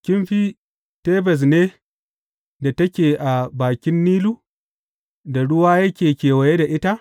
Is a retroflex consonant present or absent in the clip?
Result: present